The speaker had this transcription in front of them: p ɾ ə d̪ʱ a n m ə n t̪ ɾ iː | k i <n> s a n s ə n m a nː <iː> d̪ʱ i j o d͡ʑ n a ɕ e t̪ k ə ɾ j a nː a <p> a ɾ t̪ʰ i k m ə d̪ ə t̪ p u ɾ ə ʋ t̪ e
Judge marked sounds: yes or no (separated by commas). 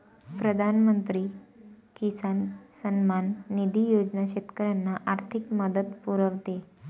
no, no, no